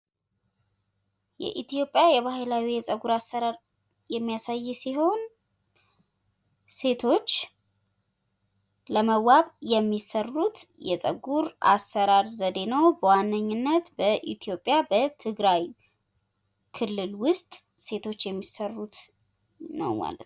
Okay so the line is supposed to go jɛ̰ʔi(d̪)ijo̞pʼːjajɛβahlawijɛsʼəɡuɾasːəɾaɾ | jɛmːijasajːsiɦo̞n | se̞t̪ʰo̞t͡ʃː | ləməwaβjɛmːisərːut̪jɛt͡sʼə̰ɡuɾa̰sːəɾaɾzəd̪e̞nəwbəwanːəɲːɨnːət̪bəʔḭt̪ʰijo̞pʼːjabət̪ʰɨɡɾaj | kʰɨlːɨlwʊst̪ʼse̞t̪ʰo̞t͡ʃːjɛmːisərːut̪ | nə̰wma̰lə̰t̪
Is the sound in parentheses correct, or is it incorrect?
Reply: incorrect